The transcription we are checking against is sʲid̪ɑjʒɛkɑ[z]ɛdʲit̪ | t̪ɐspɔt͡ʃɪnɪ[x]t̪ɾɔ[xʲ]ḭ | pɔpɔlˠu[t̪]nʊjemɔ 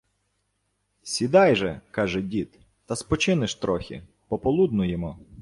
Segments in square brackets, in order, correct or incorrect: incorrect: ʒ, incorrect: ʃ, correct, incorrect: d̪

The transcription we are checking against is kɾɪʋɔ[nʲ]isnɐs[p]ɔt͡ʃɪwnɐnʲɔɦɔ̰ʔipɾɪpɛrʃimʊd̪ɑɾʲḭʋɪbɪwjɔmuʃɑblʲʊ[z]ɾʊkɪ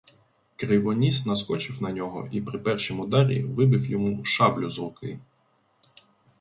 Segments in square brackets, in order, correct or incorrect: correct, incorrect: k, correct

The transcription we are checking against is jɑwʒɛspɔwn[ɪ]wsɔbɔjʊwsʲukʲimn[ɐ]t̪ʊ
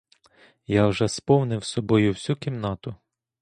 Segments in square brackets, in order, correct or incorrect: correct, incorrect: ɑ

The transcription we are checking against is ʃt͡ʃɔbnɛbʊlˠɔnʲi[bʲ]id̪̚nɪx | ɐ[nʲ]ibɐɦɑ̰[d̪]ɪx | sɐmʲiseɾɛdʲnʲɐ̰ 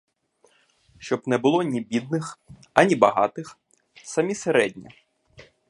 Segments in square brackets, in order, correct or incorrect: correct, correct, incorrect: t̪

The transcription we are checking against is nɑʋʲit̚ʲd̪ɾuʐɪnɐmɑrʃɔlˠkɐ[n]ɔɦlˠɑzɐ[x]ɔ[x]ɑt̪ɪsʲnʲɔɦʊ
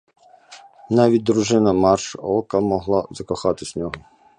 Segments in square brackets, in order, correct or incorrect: incorrect: m, incorrect: k, correct

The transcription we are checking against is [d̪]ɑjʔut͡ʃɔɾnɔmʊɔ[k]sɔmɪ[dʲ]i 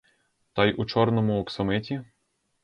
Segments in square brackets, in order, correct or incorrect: incorrect: t̪, correct, incorrect: tʲ

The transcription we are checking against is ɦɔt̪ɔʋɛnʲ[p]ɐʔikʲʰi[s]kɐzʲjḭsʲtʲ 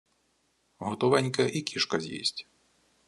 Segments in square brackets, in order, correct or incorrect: incorrect: k, incorrect: ʃ

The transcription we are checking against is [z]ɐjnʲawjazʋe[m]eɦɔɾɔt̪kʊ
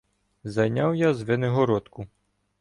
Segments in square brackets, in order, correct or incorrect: correct, incorrect: n

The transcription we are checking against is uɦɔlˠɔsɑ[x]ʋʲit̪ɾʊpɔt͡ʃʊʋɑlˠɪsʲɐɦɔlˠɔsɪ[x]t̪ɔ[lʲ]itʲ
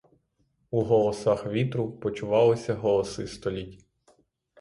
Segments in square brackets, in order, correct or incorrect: correct, incorrect: s, correct

